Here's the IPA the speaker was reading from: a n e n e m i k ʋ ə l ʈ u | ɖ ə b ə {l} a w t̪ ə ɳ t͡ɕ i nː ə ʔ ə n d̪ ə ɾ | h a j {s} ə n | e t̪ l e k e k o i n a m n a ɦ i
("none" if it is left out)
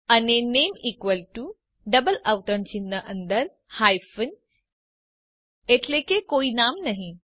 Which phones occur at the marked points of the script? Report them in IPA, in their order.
l, f

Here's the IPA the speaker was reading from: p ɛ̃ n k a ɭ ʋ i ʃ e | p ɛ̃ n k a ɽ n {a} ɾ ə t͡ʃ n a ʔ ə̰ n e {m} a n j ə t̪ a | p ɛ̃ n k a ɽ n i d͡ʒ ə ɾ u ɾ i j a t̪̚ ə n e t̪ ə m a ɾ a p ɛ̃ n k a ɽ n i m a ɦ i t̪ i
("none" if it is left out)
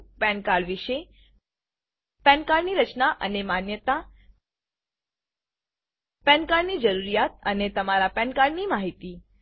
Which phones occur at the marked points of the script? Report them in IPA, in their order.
i, m

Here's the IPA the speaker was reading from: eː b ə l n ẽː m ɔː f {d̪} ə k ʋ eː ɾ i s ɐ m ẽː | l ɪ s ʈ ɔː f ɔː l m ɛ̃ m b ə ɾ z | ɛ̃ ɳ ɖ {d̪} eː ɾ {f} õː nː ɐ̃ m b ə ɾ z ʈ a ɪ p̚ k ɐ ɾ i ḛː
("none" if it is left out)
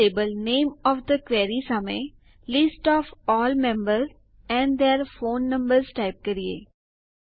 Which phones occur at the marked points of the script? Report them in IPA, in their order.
d̪, d̪, f

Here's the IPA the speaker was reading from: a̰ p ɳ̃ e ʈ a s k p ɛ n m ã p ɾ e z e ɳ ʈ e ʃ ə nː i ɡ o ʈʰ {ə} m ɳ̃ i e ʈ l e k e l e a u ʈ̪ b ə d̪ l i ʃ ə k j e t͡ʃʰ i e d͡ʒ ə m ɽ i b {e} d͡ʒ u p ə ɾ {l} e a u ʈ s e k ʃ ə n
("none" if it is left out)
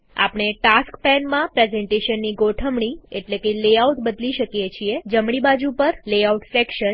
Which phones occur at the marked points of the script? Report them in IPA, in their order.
ə, a, l

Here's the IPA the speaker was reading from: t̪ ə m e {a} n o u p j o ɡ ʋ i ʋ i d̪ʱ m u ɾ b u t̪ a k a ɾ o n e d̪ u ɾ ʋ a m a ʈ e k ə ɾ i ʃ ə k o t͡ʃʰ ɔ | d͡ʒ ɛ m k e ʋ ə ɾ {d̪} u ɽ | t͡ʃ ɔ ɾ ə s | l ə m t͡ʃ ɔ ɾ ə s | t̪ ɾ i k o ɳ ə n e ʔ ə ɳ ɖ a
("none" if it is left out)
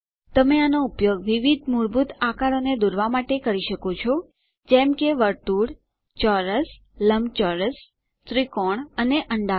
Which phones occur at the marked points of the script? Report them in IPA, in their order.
a, t̪

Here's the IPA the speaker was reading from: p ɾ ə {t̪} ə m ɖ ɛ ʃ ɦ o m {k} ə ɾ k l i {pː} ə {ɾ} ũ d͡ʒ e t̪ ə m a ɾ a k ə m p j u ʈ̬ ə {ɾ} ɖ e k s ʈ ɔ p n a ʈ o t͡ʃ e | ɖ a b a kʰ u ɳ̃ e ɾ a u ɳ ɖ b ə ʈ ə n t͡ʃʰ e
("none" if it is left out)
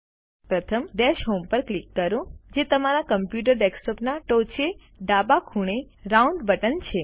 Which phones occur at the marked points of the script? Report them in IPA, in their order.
t̪ʰ, p, kː, ɾ, ɾ

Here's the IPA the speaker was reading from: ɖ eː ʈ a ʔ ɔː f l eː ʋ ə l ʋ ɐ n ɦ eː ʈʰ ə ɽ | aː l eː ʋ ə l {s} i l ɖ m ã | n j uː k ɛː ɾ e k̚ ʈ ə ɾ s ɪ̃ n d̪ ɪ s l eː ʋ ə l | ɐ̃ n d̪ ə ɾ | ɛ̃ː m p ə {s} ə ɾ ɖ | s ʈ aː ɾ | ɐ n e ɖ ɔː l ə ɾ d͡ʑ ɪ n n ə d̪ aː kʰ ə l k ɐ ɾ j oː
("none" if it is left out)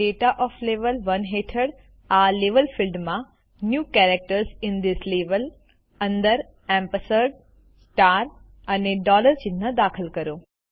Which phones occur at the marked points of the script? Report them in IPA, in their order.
f, s

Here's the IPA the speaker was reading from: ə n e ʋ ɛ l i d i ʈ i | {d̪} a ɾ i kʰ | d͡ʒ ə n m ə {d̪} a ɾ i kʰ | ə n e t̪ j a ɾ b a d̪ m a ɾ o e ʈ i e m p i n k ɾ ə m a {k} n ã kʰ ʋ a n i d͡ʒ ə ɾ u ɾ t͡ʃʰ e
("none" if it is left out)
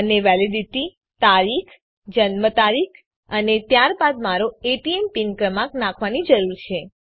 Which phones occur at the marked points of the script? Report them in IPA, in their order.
t̪, t̪, k

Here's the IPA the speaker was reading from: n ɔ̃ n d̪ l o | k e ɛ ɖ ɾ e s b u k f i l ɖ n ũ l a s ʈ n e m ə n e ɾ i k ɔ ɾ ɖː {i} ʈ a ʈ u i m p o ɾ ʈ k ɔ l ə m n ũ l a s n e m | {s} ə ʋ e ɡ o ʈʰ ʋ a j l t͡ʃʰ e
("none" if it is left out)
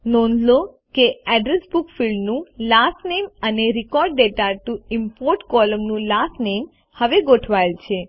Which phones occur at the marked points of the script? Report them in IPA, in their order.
e, h

